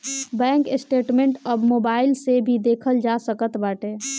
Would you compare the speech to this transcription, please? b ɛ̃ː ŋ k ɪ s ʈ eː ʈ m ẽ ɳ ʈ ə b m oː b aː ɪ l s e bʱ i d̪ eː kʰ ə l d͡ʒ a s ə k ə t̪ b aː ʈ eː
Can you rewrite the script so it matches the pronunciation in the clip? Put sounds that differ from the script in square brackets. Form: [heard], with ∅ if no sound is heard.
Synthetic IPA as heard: b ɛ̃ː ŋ k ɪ s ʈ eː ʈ m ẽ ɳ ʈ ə b m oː b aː ɪ l s e bʱ i d̪ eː kʰ ə l d͡ʒ a s ə k ə t̪ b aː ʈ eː